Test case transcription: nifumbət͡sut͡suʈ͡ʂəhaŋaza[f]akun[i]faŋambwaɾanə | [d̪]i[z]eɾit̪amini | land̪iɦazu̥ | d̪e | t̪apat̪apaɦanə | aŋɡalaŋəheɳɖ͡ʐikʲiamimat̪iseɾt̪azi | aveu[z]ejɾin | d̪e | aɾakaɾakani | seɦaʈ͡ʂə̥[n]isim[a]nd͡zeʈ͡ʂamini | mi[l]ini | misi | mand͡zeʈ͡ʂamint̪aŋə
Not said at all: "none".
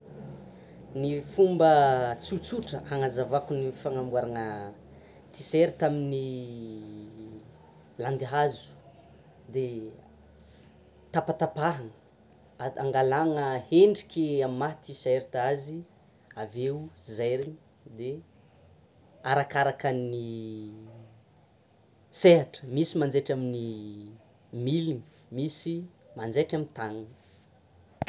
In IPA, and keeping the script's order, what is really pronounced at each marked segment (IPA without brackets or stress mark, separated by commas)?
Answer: v, i, t̪, s, z, m, a, l